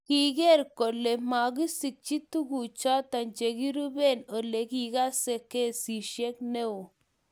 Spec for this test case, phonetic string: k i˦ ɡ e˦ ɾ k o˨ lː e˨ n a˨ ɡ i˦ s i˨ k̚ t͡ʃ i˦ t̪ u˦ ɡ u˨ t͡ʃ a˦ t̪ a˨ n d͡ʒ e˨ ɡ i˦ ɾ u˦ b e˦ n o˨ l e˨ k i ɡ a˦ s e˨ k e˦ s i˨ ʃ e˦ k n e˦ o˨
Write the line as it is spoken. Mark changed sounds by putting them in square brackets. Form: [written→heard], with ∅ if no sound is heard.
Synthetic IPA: k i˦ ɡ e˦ ɾ k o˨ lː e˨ [n→m] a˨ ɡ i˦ s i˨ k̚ t͡ʃ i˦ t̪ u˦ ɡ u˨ t͡ʃ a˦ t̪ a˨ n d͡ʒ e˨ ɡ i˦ ɾ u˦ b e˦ n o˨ l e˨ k i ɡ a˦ s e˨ k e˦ s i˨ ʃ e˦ k n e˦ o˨